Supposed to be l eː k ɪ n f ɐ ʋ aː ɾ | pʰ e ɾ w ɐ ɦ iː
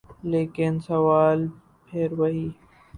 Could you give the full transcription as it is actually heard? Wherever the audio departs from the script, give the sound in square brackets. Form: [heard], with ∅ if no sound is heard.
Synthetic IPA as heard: l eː k ɪ n [s] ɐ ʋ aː [l] | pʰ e ɾ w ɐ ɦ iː